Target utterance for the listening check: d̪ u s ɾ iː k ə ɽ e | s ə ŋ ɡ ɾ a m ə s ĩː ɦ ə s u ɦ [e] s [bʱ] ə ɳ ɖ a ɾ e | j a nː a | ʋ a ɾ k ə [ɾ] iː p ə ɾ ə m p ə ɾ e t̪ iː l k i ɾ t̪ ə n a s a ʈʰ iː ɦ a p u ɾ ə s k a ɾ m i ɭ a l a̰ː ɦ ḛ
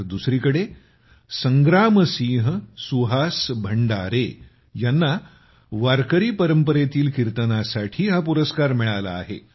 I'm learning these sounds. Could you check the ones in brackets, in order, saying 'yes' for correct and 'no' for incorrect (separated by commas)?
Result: no, yes, yes